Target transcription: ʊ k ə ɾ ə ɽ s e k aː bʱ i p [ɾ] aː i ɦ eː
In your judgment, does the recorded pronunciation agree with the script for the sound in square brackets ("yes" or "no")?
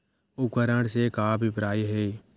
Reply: yes